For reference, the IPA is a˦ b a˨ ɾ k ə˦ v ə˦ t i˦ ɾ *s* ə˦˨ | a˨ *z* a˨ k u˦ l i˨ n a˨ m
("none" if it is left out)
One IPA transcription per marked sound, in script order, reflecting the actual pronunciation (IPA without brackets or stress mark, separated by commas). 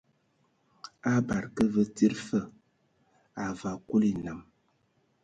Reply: f, v